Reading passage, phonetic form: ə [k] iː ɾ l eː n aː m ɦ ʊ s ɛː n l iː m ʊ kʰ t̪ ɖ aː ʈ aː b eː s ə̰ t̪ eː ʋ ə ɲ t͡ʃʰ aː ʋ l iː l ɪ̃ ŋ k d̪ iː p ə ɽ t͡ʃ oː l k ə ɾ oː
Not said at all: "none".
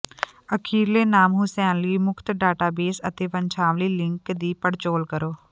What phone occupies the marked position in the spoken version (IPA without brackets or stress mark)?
kʰ